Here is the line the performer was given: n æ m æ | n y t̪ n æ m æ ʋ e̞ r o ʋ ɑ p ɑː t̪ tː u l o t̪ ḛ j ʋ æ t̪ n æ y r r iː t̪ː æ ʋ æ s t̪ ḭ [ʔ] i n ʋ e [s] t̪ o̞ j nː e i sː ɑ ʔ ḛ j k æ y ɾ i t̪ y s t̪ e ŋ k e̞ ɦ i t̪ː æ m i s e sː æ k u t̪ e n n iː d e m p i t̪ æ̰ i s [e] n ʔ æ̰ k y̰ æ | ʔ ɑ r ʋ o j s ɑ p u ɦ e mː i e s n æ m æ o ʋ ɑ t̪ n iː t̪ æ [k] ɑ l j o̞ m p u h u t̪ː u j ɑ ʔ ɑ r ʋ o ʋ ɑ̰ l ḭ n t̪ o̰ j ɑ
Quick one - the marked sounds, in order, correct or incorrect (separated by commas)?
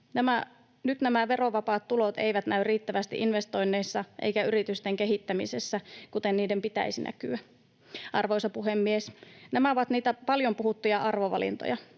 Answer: correct, correct, incorrect, incorrect